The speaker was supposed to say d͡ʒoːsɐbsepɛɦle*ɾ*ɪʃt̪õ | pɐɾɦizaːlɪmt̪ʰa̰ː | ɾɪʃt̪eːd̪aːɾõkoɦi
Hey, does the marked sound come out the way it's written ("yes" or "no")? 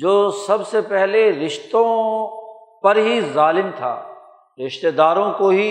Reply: yes